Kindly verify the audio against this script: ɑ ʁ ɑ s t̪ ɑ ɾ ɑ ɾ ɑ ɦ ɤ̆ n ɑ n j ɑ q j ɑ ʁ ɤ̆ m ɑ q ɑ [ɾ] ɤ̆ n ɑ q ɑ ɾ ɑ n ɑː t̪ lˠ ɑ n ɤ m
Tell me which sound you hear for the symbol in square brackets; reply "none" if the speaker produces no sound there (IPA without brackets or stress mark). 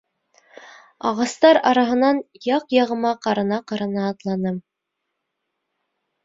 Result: ɾ